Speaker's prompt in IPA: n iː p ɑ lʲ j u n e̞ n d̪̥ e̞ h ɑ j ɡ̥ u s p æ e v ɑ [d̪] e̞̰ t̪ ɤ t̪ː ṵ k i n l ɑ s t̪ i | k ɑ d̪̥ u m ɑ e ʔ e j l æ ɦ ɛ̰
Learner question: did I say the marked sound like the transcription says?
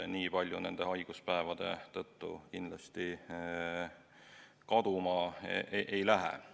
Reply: yes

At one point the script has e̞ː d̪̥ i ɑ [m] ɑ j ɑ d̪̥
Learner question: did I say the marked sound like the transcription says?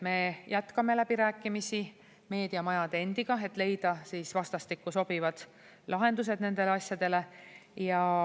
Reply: yes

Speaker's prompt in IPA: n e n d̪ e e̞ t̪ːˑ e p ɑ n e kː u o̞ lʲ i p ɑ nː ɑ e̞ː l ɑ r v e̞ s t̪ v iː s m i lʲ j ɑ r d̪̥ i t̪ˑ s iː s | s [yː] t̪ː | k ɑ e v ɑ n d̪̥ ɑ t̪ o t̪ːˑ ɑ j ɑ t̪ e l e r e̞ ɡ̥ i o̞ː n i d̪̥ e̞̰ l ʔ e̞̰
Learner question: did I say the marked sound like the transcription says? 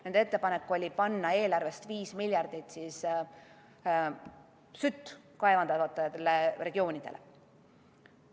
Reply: no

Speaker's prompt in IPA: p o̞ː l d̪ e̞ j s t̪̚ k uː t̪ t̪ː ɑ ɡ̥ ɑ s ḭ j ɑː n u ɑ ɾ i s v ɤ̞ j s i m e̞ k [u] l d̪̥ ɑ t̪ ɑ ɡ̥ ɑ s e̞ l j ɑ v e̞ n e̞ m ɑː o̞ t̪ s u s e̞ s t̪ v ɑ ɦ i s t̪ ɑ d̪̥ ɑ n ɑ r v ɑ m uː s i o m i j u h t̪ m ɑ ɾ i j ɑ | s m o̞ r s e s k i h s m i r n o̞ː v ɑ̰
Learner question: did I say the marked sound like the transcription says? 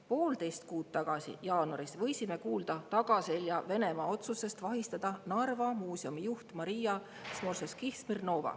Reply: no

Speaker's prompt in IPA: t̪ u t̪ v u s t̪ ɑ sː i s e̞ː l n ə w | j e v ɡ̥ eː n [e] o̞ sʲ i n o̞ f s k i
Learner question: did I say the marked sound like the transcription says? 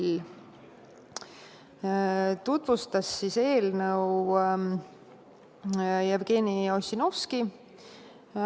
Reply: no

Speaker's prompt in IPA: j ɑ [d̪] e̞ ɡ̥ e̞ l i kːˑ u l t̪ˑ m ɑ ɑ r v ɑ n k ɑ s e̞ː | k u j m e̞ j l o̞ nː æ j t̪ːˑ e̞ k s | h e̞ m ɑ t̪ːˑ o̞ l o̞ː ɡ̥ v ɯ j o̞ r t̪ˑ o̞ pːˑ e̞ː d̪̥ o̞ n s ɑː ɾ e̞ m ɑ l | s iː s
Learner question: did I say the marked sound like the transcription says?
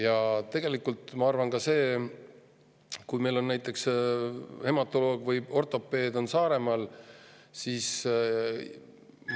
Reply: no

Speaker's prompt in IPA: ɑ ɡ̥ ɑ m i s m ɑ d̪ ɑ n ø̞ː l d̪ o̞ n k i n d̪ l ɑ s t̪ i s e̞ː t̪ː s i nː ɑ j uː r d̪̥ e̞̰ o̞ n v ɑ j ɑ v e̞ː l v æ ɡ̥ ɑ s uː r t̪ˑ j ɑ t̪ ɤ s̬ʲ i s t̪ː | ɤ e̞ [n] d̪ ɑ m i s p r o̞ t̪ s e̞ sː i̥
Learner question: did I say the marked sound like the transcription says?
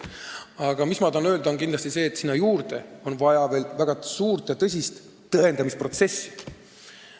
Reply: yes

